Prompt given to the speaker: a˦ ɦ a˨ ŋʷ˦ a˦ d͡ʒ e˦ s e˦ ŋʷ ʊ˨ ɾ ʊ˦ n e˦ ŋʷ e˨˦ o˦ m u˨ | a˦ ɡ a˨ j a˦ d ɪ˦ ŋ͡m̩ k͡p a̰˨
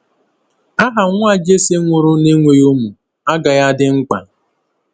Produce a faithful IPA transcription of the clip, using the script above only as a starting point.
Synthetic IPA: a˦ ɦ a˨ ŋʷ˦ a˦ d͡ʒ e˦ s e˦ ŋʷ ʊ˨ ɾ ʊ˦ n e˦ ŋʷ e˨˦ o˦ m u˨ | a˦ ɡ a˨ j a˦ d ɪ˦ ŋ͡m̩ k͡p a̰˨